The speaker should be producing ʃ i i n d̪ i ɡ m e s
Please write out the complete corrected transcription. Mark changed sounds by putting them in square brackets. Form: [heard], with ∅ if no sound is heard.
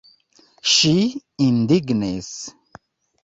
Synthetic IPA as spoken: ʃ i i n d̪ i ɡ [n] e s